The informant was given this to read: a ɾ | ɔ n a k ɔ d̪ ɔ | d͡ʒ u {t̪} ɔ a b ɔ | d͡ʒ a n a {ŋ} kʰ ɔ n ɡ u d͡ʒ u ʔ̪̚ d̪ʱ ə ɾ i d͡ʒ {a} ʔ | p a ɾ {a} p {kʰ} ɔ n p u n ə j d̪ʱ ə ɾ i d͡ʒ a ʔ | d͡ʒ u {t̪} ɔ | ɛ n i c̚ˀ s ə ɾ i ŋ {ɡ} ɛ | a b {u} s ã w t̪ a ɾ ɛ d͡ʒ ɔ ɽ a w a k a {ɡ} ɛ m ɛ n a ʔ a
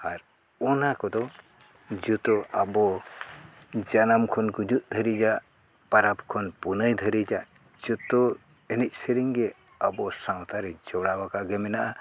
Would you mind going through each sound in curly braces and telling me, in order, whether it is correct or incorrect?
correct, incorrect: m, correct, correct, correct, correct, correct, incorrect: ɔ, correct

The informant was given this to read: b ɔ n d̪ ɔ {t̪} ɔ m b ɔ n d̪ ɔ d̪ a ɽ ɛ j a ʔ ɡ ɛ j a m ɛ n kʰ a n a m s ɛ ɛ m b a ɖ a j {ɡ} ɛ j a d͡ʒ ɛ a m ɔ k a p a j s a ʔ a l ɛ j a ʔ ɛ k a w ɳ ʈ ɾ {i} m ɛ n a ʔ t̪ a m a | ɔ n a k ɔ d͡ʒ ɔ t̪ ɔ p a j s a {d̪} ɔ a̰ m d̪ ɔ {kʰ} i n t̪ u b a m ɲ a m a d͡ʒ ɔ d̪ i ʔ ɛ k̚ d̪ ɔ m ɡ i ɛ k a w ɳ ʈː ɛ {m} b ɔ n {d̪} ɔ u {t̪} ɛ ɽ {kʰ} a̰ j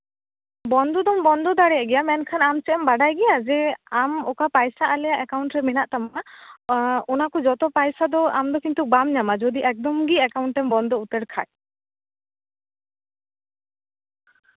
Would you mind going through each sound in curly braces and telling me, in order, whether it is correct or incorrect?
incorrect: d̪, correct, incorrect: ɛ, correct, incorrect: k, correct, correct, correct, correct

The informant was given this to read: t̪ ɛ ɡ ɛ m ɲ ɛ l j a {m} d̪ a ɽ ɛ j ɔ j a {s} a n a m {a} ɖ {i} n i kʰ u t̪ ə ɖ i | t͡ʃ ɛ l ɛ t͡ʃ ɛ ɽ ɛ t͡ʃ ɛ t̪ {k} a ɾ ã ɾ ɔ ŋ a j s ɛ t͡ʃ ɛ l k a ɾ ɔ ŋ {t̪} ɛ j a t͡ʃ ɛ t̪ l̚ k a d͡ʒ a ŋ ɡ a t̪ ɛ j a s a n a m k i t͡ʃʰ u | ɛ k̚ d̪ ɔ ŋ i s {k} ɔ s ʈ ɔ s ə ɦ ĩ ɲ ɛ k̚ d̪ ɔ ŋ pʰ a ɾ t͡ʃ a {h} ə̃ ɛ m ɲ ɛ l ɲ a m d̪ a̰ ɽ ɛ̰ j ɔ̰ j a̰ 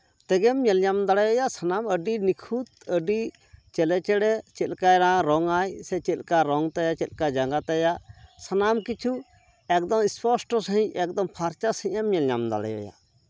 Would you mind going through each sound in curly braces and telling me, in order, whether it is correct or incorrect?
correct, correct, incorrect: ə, correct, correct, correct, incorrect: p, incorrect: s

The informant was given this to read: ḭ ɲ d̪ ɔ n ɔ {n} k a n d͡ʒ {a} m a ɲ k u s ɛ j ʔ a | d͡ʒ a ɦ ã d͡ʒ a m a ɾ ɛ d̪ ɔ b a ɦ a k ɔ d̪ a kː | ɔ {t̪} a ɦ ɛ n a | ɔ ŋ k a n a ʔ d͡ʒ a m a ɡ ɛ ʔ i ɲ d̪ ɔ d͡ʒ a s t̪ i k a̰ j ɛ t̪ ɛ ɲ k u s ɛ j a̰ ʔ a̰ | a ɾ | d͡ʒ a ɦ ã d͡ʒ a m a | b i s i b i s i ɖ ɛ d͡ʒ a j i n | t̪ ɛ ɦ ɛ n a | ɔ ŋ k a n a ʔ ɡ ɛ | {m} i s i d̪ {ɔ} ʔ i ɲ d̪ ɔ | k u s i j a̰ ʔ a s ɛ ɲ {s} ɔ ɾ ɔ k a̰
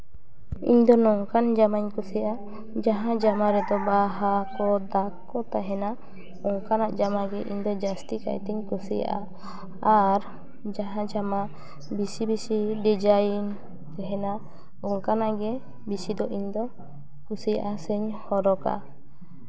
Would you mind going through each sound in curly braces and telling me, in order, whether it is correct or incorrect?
incorrect: ŋ, correct, correct, incorrect: b, correct, incorrect: h

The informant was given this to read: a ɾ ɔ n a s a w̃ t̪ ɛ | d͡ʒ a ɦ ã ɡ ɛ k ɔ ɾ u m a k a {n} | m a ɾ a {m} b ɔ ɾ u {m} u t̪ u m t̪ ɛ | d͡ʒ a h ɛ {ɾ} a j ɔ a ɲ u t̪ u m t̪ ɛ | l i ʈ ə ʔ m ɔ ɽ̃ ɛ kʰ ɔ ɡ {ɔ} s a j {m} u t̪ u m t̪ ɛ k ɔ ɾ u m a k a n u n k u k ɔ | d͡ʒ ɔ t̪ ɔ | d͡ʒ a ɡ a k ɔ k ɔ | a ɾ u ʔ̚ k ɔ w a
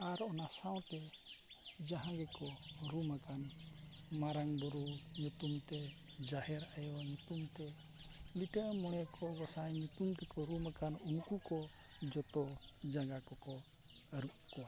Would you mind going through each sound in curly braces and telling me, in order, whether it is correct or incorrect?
correct, incorrect: ŋ, incorrect: ɲ, correct, correct, incorrect: ɲ

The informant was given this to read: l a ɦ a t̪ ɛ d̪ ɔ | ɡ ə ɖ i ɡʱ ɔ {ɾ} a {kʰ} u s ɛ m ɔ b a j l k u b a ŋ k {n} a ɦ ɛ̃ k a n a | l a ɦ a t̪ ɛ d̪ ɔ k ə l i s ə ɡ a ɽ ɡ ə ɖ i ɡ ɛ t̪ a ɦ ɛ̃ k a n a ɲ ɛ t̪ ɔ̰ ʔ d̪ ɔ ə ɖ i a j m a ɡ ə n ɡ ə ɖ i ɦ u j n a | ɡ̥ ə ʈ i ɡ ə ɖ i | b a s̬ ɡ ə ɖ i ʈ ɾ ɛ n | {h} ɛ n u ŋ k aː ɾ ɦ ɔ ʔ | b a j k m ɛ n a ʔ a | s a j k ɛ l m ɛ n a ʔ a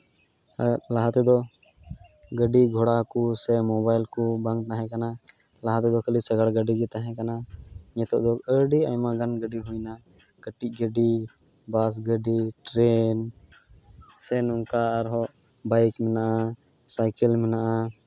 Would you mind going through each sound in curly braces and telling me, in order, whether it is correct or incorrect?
incorrect: ɽ, incorrect: k, correct, incorrect: s

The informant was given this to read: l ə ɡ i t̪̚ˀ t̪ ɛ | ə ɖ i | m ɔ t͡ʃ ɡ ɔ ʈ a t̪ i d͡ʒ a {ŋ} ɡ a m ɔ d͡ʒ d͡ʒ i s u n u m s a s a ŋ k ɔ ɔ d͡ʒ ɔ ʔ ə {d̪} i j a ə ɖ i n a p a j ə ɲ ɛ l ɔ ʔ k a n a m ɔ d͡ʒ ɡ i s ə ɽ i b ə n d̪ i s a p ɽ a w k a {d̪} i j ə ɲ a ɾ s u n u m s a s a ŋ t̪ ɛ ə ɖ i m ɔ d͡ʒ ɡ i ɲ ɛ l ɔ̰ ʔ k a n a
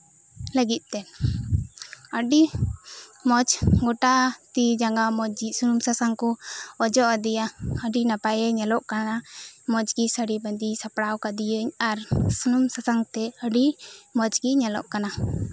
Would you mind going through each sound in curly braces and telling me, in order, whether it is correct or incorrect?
correct, correct, correct

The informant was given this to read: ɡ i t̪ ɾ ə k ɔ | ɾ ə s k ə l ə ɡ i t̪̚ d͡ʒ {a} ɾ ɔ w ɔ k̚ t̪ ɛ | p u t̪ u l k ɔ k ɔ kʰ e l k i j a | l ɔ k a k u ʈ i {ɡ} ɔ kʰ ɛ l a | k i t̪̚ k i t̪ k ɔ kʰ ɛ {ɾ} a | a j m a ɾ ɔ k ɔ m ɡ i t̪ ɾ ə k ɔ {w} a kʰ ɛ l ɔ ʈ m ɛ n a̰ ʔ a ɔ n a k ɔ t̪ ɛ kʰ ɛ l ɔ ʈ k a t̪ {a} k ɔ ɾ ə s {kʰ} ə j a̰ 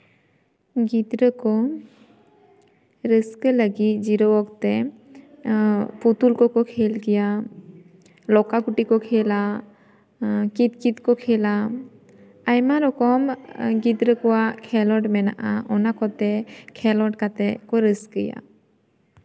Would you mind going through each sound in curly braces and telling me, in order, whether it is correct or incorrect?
incorrect: i, incorrect: k, incorrect: l, correct, incorrect: ɛ, incorrect: k

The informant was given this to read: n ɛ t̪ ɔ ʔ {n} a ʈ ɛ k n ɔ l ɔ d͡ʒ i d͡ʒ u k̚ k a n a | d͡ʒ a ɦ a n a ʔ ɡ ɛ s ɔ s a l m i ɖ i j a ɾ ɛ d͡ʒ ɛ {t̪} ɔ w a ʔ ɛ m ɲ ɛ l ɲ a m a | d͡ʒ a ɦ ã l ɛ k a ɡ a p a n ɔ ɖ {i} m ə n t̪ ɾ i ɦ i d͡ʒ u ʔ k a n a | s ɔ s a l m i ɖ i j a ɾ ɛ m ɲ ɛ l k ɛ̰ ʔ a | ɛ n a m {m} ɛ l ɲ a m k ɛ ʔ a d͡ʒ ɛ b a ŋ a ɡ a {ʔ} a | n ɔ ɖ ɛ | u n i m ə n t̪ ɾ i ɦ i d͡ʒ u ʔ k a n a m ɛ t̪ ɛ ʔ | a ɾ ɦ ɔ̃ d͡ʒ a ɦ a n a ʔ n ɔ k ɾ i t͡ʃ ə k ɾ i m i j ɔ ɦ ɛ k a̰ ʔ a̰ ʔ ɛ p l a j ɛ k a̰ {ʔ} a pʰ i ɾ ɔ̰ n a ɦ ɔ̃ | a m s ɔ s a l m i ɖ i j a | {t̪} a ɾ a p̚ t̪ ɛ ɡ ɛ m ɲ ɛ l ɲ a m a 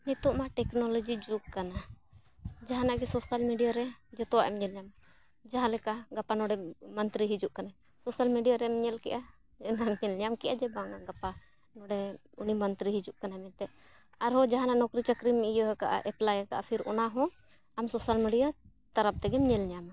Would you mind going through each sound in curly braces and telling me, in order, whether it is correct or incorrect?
incorrect: m, correct, incorrect: ɛ, incorrect: ɲ, incorrect: p, correct, correct

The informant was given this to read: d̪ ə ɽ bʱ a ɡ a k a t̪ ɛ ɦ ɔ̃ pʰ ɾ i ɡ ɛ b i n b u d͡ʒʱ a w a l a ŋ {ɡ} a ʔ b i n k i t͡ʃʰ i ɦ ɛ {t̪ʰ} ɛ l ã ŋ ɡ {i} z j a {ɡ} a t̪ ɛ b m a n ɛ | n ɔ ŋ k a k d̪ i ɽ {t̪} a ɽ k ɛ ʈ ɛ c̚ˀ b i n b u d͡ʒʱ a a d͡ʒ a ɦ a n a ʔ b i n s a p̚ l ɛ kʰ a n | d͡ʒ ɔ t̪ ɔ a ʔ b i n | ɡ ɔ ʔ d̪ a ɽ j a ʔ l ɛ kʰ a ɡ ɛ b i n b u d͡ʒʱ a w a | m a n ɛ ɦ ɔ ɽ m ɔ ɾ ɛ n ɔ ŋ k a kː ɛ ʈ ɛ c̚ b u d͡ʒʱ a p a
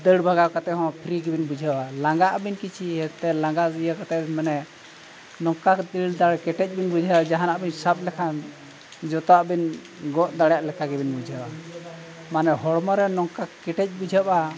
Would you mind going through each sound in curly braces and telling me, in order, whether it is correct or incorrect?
correct, incorrect: t̪, incorrect: a, incorrect: k, incorrect: d̪

